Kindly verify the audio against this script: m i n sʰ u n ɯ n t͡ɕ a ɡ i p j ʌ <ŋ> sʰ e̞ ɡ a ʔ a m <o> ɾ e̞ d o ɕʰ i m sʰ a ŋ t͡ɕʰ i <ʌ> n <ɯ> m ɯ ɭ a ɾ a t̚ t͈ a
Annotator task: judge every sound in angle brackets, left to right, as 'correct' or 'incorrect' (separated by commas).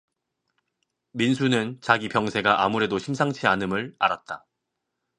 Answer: correct, incorrect, incorrect, correct